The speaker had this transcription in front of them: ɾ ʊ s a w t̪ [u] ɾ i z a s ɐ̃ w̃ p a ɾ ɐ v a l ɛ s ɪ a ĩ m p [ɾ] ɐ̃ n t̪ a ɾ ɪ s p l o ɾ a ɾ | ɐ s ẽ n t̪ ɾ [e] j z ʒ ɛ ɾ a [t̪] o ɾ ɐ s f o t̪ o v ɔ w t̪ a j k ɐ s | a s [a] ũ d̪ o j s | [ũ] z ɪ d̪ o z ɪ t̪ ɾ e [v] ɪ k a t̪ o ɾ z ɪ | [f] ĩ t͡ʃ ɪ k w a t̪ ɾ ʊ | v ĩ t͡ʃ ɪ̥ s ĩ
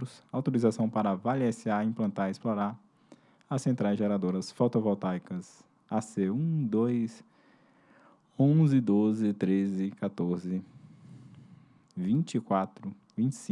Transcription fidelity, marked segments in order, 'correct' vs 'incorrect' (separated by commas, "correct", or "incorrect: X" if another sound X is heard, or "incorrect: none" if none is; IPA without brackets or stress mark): incorrect: o, incorrect: l, incorrect: a, incorrect: d̪, incorrect: e, incorrect: õ, incorrect: z, incorrect: v